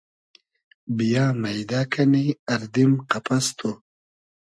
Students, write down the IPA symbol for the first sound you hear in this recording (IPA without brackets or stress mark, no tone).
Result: b